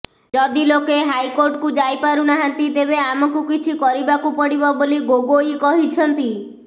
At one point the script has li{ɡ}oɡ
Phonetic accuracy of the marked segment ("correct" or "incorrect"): correct